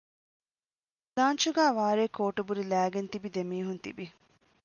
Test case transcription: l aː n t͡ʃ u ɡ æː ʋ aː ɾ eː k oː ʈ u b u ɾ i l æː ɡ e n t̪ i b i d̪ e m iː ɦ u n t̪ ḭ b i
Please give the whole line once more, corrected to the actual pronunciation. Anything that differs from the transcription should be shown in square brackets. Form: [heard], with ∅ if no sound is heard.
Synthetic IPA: l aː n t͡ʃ u ɡ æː ʋ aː ɾ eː k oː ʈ u b u ɾ i l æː ɡ e n t̪ i b i d̪ e m iː ɦ u n t̪ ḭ b i